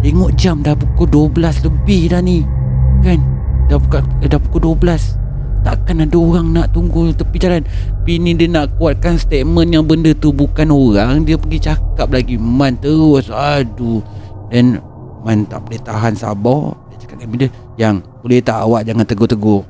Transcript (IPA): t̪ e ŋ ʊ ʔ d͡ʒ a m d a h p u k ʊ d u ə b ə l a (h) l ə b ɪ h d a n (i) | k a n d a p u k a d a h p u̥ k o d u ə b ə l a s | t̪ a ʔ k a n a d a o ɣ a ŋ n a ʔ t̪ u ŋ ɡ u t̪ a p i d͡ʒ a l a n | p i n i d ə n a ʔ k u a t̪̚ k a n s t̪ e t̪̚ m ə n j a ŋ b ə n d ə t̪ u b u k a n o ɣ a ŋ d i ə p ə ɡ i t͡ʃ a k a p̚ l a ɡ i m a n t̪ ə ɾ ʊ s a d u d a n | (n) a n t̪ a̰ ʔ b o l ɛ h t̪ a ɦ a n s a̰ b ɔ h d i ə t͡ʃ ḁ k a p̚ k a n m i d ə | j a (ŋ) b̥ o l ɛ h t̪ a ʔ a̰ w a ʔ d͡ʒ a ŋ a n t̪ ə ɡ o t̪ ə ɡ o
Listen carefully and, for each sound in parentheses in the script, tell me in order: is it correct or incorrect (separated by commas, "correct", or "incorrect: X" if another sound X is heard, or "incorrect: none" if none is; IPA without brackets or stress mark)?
incorrect: s, correct, incorrect: m, correct